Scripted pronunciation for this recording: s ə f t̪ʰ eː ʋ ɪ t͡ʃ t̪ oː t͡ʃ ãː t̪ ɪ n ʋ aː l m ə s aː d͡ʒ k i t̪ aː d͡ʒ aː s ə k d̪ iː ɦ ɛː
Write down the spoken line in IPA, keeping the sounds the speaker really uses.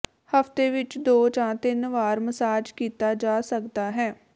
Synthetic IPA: h ə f t̪ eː ʋ ɪ t͡ʃ d̪ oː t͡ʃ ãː t̪ ɪ n ʋ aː ɾ m ə s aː d͡ʒ k iː t̪ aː d͡ʒ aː s ə k d̪ aː ɦ ɛː